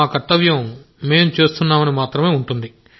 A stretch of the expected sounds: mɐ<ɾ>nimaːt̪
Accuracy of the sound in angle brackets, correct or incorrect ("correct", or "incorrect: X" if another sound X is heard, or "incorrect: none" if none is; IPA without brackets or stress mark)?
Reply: incorrect: none